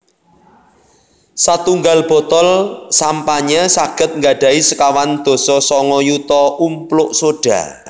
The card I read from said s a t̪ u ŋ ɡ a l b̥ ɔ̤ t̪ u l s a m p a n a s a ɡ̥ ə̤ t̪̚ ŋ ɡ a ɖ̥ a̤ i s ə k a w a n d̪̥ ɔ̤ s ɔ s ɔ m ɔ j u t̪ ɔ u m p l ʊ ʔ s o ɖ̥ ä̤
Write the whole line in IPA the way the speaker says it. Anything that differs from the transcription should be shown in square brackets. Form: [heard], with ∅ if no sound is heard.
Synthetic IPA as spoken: s a t̪ u ŋ ɡ a l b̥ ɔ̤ t̪ [ɔ] l s a m p a [ɲ] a s a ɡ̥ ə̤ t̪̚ ŋ ɡ a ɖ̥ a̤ i s ə k a w a n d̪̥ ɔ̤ s ɔ s ɔ [ŋ] ɔ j u t̪ ɔ u m p l ʊ ʔ s o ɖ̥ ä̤